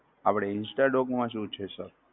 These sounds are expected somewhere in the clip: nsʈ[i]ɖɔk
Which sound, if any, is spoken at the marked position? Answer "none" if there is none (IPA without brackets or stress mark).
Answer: a